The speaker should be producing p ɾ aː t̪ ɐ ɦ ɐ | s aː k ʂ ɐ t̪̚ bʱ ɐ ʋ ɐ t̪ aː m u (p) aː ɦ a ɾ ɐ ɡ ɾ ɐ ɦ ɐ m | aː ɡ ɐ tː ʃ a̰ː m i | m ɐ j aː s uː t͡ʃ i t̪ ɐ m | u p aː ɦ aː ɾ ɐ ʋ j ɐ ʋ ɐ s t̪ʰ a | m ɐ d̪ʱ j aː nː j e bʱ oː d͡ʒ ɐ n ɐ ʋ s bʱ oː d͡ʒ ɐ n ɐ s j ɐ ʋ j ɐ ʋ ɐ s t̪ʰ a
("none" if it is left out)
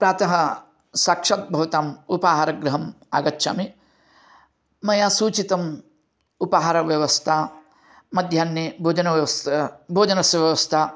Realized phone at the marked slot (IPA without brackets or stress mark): p